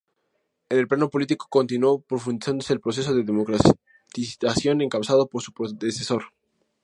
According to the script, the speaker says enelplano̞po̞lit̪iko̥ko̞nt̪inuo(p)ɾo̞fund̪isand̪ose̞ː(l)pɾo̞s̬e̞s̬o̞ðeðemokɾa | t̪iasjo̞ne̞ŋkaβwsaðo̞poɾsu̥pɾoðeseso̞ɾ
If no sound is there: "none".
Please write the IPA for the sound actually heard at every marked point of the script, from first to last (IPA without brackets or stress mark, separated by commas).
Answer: p, l